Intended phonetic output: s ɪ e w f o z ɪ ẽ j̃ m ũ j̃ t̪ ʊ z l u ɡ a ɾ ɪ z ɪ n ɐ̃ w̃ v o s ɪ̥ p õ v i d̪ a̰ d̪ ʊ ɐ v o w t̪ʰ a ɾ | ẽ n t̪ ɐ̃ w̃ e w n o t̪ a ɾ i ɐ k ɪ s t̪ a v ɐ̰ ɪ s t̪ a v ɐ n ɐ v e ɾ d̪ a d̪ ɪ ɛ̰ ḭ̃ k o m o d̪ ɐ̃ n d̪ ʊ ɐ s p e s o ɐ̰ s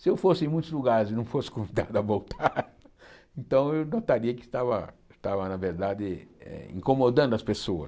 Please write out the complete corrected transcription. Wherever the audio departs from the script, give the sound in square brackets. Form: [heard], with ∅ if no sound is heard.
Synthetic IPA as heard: s ɪ e w f o [s] ɪ ẽ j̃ m ũ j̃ t̪ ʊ z l u ɡ a ɾ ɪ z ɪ n ɐ̃ w̃ [f] o s ɪ̥ [k] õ v i d̪ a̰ d̪ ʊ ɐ v o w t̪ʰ a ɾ | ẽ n t̪ ɐ̃ w̃ e w n o t̪ a ɾ i ɐ k ɪ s t̪ a v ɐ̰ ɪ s t̪ a v ɐ n ɐ v e ɾ d̪ a d̪ ɪ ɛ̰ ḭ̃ k o m o d̪ ɐ̃ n d̪ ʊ ɐ s p e s o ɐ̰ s